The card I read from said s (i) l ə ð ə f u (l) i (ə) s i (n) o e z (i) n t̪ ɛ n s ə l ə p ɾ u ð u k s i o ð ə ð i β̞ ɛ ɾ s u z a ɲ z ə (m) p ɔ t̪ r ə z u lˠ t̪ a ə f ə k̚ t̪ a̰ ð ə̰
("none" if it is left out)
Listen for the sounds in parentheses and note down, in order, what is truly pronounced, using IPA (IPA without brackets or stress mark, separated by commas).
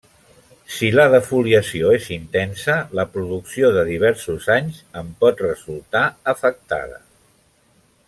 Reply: i, l, ə, none, i, m